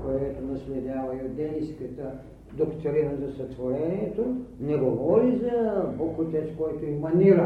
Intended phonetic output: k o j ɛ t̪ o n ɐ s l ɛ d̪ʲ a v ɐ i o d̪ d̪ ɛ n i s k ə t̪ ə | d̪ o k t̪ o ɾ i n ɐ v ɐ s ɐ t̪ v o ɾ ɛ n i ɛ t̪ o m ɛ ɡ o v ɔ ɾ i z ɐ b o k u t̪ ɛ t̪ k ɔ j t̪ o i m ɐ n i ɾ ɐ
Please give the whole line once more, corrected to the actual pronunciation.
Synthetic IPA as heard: k o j ɛ t̪ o n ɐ s l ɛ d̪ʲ a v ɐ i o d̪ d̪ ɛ n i s k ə t̪ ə | d̪ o k t̪ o ɾ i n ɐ z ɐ s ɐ t̪ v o ɾ ɛ n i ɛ t̪ o n ɛ ɡ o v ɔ ɾ i z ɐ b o k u t̪ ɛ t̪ k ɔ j t̪ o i m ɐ n i ɾ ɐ